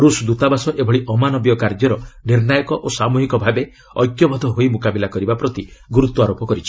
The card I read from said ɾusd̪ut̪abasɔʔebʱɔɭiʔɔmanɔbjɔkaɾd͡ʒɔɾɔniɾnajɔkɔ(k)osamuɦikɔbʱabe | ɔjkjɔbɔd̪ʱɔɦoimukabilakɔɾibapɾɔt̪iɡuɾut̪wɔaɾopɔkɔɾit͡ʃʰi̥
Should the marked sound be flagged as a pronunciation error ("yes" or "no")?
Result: yes